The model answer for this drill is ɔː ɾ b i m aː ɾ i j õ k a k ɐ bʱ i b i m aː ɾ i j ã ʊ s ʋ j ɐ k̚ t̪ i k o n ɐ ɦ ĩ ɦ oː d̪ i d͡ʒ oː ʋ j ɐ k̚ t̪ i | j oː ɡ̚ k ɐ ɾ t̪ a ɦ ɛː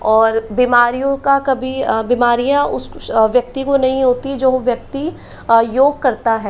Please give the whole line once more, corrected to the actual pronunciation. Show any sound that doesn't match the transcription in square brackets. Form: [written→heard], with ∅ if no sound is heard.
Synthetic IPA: ɔː ɾ b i m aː ɾ i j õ k a k ɐ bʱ i b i m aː ɾ i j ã ʊ s ʋ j ɐ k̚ t̪ i k o n ɐ ɦ ĩ ɦ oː [d̪→t̪] i d͡ʒ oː ʋ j ɐ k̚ t̪ i | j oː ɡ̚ k ɐ ɾ t̪ a ɦ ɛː